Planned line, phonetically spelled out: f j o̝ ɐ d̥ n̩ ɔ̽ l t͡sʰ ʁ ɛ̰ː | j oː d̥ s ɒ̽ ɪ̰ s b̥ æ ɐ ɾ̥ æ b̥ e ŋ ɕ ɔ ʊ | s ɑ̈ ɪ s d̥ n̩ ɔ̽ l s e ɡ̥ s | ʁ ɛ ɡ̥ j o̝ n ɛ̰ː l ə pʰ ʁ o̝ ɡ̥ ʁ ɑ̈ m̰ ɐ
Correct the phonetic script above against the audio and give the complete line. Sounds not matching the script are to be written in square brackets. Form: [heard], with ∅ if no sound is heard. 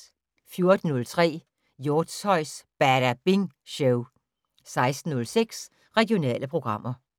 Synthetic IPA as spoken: f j o̝ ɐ d̥ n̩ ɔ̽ l t͡sʰ ʁ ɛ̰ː | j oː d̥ s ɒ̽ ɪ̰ s b̥ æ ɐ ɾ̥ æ b̥ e ŋ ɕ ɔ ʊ | s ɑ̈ ɪ s d̥ n̩ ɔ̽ l s e ɡ̥ s | ʁ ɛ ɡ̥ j o̝ n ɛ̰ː l ə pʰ ʁ o̝ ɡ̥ ʁ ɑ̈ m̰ ɐ